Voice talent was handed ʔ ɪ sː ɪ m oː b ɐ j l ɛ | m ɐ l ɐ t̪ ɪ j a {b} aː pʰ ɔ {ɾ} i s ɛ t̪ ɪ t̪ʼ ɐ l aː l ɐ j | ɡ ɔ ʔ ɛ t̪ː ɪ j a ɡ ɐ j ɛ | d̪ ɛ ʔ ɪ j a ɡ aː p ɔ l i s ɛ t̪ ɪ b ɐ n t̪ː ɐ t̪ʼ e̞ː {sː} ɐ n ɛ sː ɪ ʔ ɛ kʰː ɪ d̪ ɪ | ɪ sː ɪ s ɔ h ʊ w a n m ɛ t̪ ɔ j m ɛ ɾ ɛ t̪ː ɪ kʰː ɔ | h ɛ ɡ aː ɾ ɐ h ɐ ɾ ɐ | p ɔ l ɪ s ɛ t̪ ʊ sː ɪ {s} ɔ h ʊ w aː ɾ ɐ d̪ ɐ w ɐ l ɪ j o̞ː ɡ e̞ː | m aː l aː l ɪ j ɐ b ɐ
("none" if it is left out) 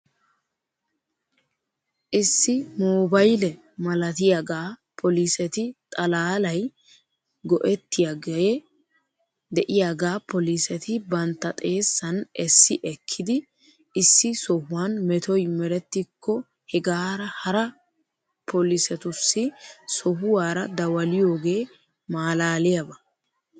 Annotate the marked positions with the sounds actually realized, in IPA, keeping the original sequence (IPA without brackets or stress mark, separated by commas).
ɡ, l, sː, s